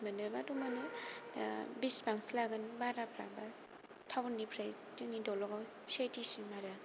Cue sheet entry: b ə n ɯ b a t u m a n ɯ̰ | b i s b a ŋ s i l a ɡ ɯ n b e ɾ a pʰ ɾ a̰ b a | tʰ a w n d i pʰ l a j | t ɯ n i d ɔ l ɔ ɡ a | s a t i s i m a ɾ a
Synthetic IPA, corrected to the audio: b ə n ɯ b a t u m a n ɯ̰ | b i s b a ŋ s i l a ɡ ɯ n b a ɾ a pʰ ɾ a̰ b a | tʰ a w n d i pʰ ɾ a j | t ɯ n i d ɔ l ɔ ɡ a | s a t i s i m a ɾ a

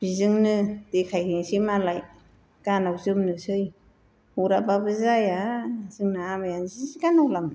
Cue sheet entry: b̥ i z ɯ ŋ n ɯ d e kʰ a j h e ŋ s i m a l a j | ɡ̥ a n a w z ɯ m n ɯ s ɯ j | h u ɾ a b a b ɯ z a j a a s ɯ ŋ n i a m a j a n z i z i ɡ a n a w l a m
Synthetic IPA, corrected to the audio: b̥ i z ɯ ŋ n ɯ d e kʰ a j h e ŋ s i m a l a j | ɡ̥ a n a w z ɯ m n ɯ s ɯ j | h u ɾ a b a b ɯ z a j a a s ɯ ŋ n a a m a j a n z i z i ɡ a n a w l a m

